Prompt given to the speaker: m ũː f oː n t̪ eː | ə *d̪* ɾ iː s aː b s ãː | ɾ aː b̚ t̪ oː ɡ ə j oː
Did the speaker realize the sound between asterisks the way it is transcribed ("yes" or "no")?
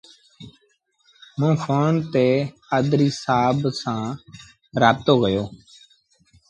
yes